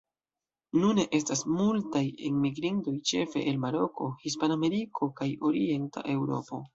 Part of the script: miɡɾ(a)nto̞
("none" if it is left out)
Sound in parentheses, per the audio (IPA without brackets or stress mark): i